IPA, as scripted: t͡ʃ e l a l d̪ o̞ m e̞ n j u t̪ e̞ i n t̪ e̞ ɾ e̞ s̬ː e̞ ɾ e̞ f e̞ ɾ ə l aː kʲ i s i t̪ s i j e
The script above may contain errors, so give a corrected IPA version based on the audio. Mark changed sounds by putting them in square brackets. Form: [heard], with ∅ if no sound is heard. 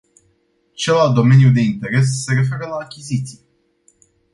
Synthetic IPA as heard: t͡ʃ e l a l d̪ o̞ m e̞ n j u [d̪] e̞ i n t̪ e̞ ɾ e̞ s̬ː e̞ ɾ e̞ f e̞ ɾ ə l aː kʲ i [z] i t̪ s i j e

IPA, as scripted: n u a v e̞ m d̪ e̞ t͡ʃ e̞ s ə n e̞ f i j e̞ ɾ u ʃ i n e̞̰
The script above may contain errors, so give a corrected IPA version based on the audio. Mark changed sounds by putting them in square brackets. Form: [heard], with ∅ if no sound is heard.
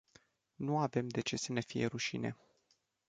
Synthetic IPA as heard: n u a v e̞ m d̪ e̞ t͡ʃ e̞ s ə n e̞ f i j e̞ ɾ u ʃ i n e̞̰

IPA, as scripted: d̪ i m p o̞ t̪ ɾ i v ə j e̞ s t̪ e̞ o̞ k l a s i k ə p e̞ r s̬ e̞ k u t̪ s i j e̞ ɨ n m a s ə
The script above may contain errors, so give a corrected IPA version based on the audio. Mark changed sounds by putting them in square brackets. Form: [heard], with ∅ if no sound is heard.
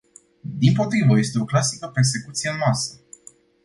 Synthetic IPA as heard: d̪ i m p o̞ t̪ ɾ i v ə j e̞ s t̪ e̞ o̞ k l a s i k ə p e̞ r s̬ e̞ k u t̪ s i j e̞ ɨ n m a s ə

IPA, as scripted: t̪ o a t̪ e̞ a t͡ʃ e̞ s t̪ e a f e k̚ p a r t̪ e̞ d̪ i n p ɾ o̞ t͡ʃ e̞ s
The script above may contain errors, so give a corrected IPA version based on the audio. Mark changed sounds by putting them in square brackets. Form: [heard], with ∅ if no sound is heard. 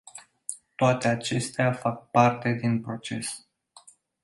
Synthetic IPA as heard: t̪ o a t̪ e̞ a t͡ʃ e̞ s t̪ e a f [a] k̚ p a r t̪ e̞ d̪ i n p ɾ o̞ t͡ʃ e̞ s

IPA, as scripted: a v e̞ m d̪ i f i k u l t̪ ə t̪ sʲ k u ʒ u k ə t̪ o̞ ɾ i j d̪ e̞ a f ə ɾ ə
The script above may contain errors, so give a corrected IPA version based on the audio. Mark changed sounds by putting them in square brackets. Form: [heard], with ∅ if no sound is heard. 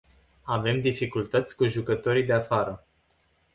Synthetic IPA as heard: a v e̞ m d̪ i f i k u l t̪ ə t̪ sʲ k u ʒ u k ə t̪ o̞ ɾ i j d̪ e̞ a f [a] ɾ ə

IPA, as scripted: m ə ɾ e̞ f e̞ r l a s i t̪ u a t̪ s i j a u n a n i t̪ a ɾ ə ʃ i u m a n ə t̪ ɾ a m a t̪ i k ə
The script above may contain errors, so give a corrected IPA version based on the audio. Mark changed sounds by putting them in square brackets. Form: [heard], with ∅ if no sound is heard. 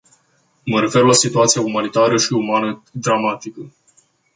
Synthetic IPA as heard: m ə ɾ e̞ f e̞ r l a s i t̪ u a t̪ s i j a u [m] a n i t̪ a ɾ ə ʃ i u m a n ə [d̪] ɾ a m a t̪ i k ə

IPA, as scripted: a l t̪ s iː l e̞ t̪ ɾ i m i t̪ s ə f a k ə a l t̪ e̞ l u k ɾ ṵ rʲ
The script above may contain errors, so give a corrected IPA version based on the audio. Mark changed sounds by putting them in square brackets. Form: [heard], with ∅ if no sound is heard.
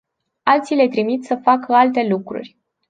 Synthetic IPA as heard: a l t̪ s [i] l e̞ t̪ ɾ i m i t̪ s ə f a k ə a l t̪ e̞ l u k ɾ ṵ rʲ

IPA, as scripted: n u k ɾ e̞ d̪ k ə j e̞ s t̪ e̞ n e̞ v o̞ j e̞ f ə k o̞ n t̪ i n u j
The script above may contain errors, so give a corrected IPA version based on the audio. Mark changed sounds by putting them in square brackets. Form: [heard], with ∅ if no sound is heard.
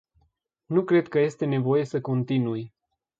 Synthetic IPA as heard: n u k ɾ e̞ d̪ k ə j e̞ s t̪ e̞ n e̞ v o̞ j e̞ [s] ə k o̞ n t̪ i n u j

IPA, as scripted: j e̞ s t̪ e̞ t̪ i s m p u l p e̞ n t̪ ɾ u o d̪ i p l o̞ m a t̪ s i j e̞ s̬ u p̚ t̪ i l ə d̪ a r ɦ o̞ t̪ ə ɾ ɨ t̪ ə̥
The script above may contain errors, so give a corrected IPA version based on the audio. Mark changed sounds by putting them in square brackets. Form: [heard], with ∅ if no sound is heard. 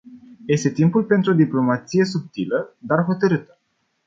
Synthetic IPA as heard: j e̞ s t̪ e̞ t̪ i [∅] m p u l p e̞ n t̪ ɾ u o d̪ i p l o̞ m a t̪ s i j e̞ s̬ u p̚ t̪ i l ə d̪ a r ɦ o̞ t̪ ə ɾ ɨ t̪ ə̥

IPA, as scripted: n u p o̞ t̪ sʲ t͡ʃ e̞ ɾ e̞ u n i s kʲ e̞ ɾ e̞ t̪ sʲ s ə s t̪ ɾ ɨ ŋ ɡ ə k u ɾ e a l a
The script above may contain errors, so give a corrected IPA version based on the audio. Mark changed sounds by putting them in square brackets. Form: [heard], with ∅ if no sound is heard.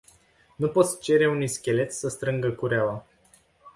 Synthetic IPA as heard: n u p o̞ t̪ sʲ t͡ʃ e̞ ɾ e̞ u n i s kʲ e̞ [l] e̞ t̪ sʲ s ə s t̪ ɾ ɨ ŋ ɡ ə k u ɾ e a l a

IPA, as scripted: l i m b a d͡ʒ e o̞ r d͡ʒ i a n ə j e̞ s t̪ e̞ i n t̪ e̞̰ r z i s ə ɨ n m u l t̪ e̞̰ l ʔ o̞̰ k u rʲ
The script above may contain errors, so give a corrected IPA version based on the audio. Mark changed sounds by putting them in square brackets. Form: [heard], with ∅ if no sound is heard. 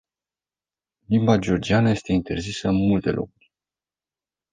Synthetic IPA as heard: l i m b a d͡ʒ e o̞ r d͡ʒ i a n ə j e̞ s t̪ e̞ i n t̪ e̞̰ r z i s ə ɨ n m u l t̪ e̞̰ l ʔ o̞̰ k u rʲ

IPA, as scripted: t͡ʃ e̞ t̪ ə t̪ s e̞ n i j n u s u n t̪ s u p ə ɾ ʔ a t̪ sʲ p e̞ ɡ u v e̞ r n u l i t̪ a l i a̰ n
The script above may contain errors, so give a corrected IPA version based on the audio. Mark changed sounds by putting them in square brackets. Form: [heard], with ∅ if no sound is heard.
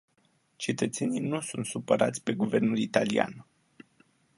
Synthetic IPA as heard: t͡ʃ e̞ t̪ ə t̪ s e̞ n i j n u s u n t̪ s u p ə ɾ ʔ a t̪ sʲ p e̞ ɡ u v e̞ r n u l i t̪ a l i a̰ n

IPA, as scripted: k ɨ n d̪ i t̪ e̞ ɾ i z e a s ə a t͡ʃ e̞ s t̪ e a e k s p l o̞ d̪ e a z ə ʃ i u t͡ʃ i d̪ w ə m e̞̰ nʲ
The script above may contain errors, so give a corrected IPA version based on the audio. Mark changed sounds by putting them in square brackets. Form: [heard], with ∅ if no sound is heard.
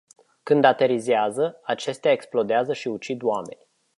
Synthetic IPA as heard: k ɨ n d̪ [a] t̪ e̞ ɾ i z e a [z] ə a t͡ʃ e̞ s t̪ e a e k s p l o̞ d̪ e a z ə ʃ i u t͡ʃ i d̪ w [a] m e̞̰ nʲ

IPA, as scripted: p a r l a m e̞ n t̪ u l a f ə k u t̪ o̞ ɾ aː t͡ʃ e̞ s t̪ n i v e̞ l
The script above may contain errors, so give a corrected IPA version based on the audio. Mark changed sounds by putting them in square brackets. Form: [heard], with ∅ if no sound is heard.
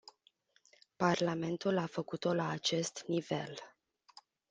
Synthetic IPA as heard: p a r l a m e̞ n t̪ u l a f ə k u t̪ o̞ [l] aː t͡ʃ e̞ s t̪ n i v e̞ l

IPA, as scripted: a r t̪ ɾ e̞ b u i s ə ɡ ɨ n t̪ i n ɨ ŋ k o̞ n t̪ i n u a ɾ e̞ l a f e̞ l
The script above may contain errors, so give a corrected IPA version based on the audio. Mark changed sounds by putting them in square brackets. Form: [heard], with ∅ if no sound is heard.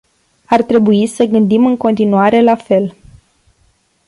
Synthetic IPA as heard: a r t̪ ɾ e̞ b u i s ə ɡ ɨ n [d̪] i [m] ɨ ŋ k o̞ n t̪ i n u a ɾ e̞ l a f e̞ l

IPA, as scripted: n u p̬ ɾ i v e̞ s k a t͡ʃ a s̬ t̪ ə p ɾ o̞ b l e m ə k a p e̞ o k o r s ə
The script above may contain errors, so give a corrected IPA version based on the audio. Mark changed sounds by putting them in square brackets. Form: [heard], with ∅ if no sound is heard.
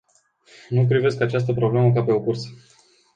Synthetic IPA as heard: n u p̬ ɾ i v e̞ s k a t͡ʃ a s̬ t̪ ə p ɾ o̞ b l e m ə k a p e̞ o k [u] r s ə

